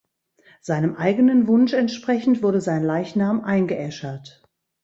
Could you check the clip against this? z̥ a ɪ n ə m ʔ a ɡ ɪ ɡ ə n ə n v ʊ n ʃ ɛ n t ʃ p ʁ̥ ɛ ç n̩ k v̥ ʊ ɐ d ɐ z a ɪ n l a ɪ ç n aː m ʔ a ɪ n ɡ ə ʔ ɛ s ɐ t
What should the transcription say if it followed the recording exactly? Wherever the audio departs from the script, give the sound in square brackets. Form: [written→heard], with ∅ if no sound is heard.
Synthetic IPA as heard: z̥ a ɪ n ə m ʔ a [ɡ→∅] ɪ ɡ ə n ə n v ʊ n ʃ ɛ n t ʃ p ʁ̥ ɛ ç n̩ [k→t] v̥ ʊ ɐ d [ɐ→ə] z a ɪ n l a ɪ ç n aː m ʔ a ɪ n ɡ ə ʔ ɛ [s→ʃ] ɐ t

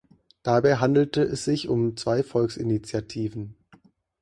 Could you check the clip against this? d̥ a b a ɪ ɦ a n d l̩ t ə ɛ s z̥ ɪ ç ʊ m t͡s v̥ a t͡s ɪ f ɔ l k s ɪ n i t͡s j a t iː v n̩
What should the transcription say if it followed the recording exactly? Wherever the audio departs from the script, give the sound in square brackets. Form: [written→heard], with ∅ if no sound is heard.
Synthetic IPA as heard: d̥ a b a ɪ ɦ a n d l̩ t ə ɛ s z̥ ɪ ç ʊ m t͡s v̥ a [t͡s→∅] ɪ f ɔ l k s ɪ n i t͡s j a [t→tʰ] iː v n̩

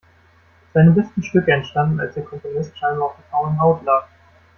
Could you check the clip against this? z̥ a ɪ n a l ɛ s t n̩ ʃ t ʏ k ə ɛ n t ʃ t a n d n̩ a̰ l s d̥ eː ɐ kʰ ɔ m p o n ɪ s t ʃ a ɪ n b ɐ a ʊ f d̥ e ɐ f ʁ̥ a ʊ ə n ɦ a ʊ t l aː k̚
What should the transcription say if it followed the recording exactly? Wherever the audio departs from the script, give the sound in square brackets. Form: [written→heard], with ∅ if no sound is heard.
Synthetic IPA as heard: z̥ a ɪ n [a→ə] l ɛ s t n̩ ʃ t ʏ k ə ɛ n t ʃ t a n d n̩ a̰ l s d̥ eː ɐ kʰ ɔ m p o n ɪ s t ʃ a ɪ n b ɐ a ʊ f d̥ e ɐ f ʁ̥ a ʊ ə n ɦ a ʊ t l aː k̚

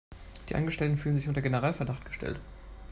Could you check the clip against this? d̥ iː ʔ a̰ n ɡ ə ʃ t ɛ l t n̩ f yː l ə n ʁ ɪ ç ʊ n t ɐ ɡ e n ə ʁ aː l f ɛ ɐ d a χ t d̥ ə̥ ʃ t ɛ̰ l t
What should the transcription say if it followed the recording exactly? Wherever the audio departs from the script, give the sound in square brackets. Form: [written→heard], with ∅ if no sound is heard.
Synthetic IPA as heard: d̥ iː ʔ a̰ n ɡ ə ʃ t ɛ l t n̩ f yː l ə n [ʁ→z] ɪ ç ʊ n t ɐ ɡ e n ə ʁ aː l f ɛ ɐ d a χ t [d̥→ɡ̥] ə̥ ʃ t ɛ̰ l t

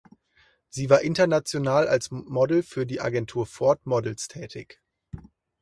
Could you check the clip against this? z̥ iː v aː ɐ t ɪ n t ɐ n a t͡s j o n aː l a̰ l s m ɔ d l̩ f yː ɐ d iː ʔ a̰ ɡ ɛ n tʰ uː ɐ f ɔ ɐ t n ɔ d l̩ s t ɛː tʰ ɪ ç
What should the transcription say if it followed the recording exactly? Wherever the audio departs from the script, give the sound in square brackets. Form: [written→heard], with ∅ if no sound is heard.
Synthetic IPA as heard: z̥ iː v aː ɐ [t→ʔ] ɪ n t ɐ n a t͡s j o n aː l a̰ l s m ɔ d l̩ f yː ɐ d iː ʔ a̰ ɡ ɛ n tʰ uː ɐ f ɔ ɐ t [n→m] ɔ d l̩ s [t→tʰ] ɛː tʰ ɪ ç

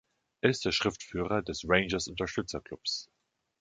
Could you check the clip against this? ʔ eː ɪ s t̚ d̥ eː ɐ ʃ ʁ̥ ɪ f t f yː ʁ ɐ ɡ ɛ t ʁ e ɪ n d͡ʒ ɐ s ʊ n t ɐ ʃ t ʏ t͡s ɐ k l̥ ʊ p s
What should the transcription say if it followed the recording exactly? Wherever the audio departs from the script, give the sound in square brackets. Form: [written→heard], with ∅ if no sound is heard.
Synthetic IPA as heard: ʔ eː ɪ s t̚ d̥ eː ɐ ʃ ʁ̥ ɪ f t f yː ʁ ɐ [ɡ→d] ɛ [t→s] ʁ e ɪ n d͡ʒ ɐ s ʊ n t ɐ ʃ t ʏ t͡s ɐ k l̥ ʊ p s

